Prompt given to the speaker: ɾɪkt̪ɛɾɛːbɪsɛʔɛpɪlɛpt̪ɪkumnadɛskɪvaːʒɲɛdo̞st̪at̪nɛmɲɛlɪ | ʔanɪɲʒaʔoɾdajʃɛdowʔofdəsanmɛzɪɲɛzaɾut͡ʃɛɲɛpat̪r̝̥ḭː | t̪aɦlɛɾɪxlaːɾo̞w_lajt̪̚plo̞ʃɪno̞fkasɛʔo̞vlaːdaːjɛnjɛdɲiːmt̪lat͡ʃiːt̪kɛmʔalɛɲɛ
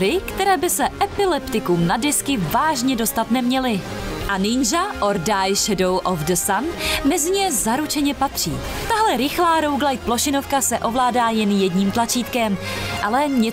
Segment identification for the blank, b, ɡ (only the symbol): ɡ